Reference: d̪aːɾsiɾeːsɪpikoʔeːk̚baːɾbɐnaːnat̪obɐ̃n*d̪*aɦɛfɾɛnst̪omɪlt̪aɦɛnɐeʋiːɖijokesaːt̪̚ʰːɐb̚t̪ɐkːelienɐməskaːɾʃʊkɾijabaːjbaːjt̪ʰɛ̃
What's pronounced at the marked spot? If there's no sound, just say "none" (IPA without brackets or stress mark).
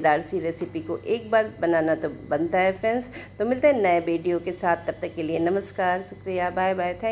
t̪